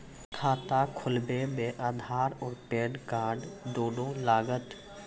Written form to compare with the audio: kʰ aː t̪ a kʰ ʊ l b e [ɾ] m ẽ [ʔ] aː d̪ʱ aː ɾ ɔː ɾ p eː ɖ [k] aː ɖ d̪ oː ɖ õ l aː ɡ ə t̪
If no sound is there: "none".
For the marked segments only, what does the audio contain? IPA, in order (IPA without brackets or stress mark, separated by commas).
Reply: none, ʔ, k